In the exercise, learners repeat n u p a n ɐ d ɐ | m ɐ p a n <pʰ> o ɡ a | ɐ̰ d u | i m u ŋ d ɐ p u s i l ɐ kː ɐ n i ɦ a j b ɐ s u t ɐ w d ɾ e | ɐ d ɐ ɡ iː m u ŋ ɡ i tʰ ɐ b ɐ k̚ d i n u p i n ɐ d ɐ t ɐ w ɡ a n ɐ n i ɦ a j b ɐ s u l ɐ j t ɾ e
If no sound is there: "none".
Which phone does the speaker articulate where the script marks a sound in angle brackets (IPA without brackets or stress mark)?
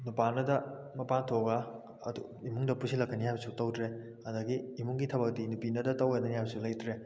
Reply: tʰ